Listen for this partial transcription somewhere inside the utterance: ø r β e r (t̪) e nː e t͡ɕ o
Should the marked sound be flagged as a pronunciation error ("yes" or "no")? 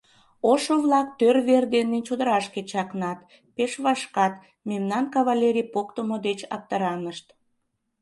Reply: yes